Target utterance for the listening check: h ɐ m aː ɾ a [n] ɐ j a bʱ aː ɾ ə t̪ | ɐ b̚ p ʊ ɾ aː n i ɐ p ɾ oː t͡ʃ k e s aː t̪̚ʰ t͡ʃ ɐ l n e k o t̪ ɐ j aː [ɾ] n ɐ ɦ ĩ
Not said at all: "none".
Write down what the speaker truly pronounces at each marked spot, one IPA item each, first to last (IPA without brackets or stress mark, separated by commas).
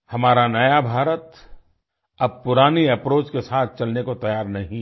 n, ɾ